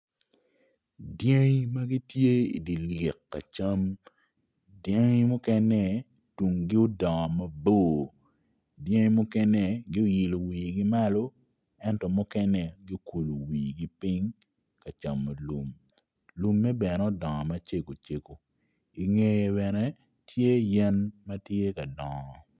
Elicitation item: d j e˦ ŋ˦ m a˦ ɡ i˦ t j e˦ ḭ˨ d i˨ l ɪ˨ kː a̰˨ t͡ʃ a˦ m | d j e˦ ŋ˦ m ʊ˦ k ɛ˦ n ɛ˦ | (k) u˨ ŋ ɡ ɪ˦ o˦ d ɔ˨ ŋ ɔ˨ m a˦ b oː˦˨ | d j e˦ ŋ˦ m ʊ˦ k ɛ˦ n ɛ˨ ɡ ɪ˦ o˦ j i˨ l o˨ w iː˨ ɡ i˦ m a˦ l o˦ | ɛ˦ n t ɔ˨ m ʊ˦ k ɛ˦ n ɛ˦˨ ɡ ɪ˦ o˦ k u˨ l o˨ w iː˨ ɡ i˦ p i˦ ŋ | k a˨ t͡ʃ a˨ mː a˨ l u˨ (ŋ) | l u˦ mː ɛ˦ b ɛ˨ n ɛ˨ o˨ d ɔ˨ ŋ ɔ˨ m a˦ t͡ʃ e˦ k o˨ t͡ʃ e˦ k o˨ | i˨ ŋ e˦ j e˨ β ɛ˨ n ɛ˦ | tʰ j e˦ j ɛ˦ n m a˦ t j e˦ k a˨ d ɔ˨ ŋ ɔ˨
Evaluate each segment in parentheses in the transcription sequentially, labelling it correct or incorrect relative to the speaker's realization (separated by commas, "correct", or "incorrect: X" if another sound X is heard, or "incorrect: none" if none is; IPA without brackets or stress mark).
incorrect: t, incorrect: m